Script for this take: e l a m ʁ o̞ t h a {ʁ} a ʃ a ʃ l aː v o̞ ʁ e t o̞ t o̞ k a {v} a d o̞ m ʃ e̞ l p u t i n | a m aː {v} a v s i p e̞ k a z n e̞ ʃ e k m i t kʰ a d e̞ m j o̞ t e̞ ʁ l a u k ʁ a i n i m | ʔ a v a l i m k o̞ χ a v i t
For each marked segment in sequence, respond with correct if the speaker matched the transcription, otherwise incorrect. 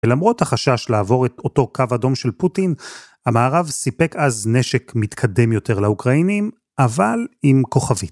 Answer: incorrect: χ, correct, incorrect: ʁ

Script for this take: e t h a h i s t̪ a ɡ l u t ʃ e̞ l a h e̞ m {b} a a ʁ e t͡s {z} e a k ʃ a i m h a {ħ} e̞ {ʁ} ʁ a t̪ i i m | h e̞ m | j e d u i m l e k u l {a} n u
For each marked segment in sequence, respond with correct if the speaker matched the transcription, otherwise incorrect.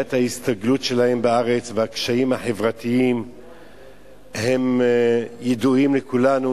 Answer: correct, incorrect: v, correct, incorrect: v, correct

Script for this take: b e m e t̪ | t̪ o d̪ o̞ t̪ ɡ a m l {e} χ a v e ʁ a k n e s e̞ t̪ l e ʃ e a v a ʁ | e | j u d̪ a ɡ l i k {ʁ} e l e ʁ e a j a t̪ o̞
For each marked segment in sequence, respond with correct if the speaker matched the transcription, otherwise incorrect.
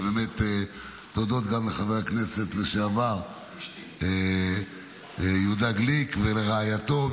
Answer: correct, incorrect: v

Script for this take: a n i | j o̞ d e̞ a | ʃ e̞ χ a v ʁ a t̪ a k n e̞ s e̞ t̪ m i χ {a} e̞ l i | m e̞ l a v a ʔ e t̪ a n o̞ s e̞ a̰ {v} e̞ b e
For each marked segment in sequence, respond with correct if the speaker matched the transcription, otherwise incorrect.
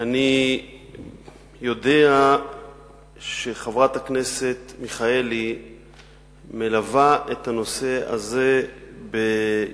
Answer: correct, incorrect: z

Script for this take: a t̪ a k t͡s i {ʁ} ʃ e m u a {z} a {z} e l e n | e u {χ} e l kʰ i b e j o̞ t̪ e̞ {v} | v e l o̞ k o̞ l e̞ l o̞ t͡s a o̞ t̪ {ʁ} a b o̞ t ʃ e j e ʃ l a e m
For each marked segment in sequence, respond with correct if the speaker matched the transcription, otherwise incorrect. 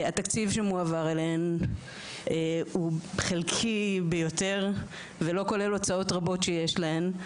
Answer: incorrect: v, incorrect: v, incorrect: ʁ, correct, incorrect: ʁ, correct

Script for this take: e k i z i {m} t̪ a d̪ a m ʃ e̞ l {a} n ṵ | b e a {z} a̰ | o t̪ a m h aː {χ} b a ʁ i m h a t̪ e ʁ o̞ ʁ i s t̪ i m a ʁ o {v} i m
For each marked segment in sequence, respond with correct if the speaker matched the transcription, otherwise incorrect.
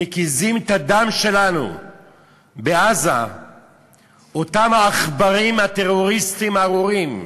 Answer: correct, correct, correct, correct, incorrect: ʁ

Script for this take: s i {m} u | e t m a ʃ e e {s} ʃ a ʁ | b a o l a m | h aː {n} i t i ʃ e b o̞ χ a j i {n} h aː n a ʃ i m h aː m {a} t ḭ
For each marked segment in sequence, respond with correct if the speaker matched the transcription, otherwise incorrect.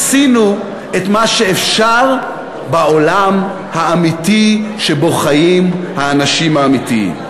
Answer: incorrect: n, incorrect: f, incorrect: m, incorrect: m, incorrect: i

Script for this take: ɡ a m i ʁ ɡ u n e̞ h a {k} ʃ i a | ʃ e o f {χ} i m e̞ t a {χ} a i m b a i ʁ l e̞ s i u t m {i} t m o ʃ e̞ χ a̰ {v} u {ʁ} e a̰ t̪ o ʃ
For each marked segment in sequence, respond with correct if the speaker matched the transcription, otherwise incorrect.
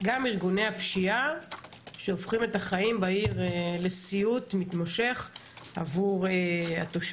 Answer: incorrect: p, correct, correct, correct, correct, correct

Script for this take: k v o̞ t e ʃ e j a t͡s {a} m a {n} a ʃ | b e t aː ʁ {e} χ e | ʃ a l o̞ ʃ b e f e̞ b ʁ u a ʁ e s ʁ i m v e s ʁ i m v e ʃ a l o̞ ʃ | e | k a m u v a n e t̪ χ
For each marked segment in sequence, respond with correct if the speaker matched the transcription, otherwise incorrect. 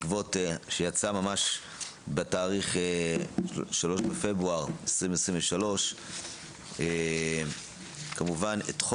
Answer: correct, incorrect: m, incorrect: i

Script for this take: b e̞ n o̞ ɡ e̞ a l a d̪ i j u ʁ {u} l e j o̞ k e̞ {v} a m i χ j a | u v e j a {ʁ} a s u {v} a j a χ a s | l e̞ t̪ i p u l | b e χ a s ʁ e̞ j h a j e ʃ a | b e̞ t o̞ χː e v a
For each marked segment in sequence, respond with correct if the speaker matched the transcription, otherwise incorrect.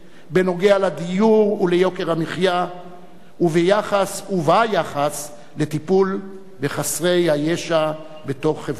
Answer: correct, incorrect: ʁ, incorrect: χ, correct

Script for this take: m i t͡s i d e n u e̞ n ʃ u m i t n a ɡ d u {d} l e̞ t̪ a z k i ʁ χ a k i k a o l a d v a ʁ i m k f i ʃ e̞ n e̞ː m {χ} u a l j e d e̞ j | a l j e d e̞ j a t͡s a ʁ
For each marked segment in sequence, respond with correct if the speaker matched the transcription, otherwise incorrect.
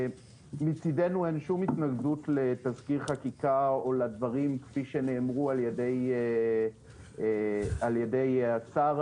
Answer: incorrect: t, incorrect: ʁ

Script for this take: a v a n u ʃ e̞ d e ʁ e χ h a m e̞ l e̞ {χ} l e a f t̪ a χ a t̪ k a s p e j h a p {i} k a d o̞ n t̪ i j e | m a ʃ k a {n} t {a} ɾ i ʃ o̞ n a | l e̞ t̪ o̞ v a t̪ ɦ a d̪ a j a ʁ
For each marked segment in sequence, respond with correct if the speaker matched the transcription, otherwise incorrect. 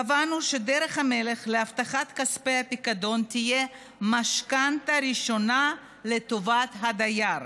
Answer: correct, correct, correct, correct

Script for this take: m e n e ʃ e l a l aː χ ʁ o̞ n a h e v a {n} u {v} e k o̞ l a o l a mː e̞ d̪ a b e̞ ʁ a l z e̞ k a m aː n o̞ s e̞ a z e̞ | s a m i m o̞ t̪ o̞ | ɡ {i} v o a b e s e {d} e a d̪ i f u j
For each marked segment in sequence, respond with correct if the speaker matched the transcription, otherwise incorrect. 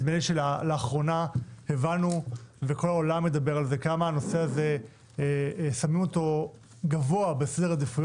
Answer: correct, correct, incorrect: a, correct

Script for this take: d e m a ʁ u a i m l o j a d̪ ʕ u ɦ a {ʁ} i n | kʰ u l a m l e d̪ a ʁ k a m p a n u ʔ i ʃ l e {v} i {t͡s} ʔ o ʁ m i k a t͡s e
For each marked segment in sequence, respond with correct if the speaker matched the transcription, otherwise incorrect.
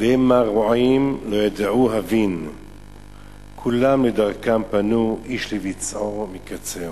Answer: incorrect: v, correct, correct

